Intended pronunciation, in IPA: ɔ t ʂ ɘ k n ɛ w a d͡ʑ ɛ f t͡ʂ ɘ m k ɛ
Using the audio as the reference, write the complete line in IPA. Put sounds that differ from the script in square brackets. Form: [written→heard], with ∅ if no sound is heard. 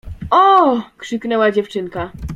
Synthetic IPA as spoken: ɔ [t→k] ʂ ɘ k n ɛ w a d͡ʑ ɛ f t͡ʂ ɘ [m→ŋ] k [ɛ→a]